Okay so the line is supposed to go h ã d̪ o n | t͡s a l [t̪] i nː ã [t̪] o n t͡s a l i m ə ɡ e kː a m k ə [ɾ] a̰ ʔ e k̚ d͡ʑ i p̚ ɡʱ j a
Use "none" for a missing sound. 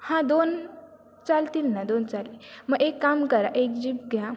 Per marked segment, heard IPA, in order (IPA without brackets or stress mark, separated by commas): t̪, d̪, ɾ